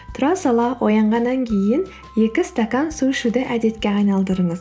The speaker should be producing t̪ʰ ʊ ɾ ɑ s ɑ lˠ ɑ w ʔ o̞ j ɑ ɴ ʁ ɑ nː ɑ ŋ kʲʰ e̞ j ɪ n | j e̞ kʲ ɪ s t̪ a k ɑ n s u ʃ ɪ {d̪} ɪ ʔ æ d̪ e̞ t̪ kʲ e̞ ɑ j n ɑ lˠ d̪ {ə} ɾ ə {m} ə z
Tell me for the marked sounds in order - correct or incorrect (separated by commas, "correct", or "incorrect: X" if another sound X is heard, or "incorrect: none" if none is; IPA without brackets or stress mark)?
correct, correct, incorrect: ɴ